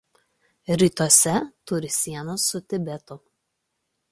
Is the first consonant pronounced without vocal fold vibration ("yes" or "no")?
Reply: no